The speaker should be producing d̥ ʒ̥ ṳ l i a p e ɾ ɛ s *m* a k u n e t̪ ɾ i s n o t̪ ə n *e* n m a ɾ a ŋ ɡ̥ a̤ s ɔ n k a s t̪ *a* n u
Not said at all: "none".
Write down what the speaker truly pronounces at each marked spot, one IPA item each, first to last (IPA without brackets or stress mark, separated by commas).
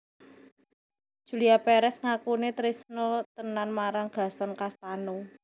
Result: ŋ, a, a